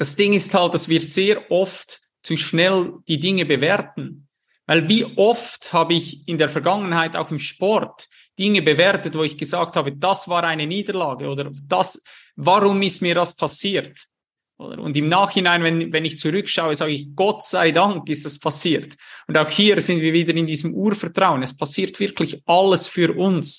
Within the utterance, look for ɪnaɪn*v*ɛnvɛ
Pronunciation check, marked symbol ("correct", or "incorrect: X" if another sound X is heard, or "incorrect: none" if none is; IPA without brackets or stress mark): correct